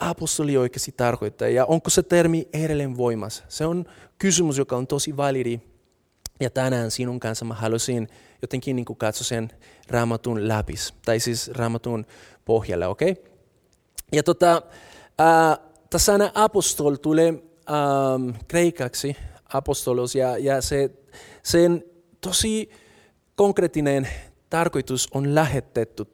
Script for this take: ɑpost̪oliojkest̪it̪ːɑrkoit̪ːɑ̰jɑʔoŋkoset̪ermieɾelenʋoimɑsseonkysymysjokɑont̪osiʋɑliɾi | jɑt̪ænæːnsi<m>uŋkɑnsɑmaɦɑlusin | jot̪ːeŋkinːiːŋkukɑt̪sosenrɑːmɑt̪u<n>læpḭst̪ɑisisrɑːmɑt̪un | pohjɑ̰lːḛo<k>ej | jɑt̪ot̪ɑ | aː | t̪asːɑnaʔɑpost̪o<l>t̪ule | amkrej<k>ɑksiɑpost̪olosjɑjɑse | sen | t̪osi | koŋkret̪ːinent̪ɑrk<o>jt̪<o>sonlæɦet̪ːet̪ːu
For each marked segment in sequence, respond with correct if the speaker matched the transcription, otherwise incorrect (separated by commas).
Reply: incorrect, correct, correct, correct, correct, correct, incorrect